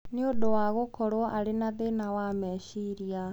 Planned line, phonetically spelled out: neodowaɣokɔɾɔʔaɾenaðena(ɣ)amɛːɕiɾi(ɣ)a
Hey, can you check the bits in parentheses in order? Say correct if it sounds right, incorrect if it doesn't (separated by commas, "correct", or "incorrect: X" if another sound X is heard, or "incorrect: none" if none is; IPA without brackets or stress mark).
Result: incorrect: w, incorrect: none